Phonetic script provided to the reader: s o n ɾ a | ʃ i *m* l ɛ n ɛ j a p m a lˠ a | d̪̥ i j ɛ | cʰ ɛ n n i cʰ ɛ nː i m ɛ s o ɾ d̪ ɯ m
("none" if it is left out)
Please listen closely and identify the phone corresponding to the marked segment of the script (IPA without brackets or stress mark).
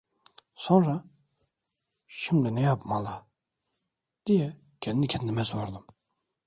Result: m